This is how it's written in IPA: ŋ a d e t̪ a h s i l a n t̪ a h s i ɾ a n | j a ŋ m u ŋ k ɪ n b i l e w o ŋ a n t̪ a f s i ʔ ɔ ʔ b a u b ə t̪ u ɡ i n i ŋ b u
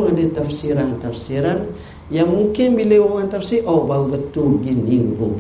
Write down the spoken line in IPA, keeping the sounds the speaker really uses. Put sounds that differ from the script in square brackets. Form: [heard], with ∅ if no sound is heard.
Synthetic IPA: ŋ a d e t̪ a [f] s i [ɾ] a n t̪ a [f] s i ɾ a n | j a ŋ m u ŋ k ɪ n b i l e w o ŋ a n t̪ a f s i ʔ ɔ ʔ b a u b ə t̪ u ɡ i n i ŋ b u